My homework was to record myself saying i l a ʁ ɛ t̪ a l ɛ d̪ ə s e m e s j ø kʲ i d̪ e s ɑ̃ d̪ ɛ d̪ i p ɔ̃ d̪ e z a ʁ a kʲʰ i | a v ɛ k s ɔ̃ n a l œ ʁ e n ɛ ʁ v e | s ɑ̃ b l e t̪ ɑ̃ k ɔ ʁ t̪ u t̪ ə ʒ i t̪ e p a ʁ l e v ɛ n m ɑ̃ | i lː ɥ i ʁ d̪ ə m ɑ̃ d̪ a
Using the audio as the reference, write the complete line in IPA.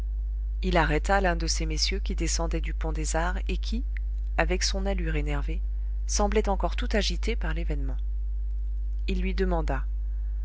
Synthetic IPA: i l a ʁ ɛ t̪ a l ɛ̃ d̪ ə s e m e s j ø kʲ i d̪ e s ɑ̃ d̪ ɛ d̪ y p ɔ̃ d̪ e z a ʁ e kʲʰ i | a v ɛ k s ɔ̃ n a l y ʁ e n ɛ ʁ v e | s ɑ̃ b l ɛ t̪ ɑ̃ k ɔ ʁ t̪ u t̪ a ʒ i t̪ e p a ʁ l e v ɛ n m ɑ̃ | i lː ɥ i d̪ ə m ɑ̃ d̪ a